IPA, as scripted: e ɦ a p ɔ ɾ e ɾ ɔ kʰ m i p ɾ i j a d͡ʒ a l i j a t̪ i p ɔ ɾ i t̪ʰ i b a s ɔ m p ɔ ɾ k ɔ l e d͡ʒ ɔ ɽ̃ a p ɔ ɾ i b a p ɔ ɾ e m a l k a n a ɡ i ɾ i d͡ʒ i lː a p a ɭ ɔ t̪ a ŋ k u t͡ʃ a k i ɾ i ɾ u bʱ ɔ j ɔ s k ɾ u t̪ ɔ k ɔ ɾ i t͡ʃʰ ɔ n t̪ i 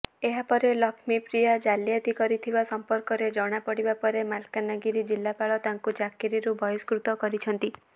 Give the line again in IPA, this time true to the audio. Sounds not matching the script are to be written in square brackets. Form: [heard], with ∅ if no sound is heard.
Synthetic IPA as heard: e ɦ a p ɔ ɾ e [l] ɔ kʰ m i p ɾ i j a d͡ʒ a l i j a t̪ i [k] ɔ ɾ i t̪ʰ i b a s ɔ m p ɔ ɾ k ɔ [ɾ] e d͡ʒ ɔ ɽ̃ a p ɔ [ɽ] i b a p ɔ ɾ e m a l k a n a ɡ i ɾ i d͡ʒ i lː a p a ɭ ɔ t̪ a ŋ k u t͡ʃ a k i ɾ i ɾ u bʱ ɔ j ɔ s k ɾ u t̪ ɔ k ɔ ɾ i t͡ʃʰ ɔ n t̪ i